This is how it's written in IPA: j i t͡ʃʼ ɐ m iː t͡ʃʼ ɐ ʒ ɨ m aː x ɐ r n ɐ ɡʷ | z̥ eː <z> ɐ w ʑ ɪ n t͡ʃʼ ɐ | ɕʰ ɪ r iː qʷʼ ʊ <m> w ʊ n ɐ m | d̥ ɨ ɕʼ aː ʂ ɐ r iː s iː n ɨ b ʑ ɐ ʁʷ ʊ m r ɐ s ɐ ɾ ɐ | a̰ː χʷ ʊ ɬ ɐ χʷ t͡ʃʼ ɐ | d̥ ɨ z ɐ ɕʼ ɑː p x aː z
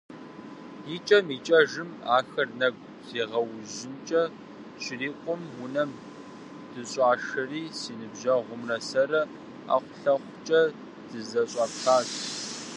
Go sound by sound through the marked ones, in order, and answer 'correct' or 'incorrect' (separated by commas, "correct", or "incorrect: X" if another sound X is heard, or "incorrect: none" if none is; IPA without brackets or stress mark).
incorrect: ʁ, correct